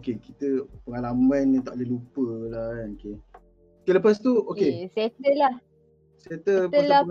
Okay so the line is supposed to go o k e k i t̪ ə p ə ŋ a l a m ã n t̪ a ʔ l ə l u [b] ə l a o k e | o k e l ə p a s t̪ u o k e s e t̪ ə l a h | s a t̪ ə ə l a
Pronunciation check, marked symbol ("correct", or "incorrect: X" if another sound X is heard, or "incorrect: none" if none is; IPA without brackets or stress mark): incorrect: p